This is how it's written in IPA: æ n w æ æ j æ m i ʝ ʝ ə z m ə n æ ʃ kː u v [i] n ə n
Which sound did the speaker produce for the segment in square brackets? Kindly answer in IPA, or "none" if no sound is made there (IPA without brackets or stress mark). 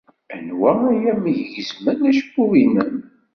i